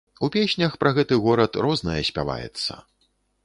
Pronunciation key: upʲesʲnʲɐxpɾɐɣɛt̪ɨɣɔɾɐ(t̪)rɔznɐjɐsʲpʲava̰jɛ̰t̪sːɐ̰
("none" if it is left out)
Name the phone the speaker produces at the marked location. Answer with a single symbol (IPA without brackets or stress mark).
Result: t̪